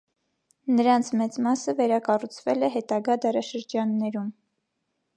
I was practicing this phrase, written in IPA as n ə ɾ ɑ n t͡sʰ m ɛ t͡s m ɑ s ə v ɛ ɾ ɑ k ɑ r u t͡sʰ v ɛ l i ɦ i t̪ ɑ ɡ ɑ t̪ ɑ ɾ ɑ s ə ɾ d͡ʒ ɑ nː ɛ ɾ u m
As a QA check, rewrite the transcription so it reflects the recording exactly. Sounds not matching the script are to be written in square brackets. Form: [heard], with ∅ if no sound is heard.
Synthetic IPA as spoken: n ə ɾ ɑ n t͡sʰ m ɛ t͡s m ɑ s ə v ɛ ɾ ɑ k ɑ r u t͡sʰ v ɛ l [ɛ] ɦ [ɛ] t̪ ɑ ɡ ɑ [d̪] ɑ ɾ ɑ [ʃ] ə ɾ d͡ʒ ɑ nː ɛ ɾ u m